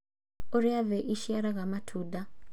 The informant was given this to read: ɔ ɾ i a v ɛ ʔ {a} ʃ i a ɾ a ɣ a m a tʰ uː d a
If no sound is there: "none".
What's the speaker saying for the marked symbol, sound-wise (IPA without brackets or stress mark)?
i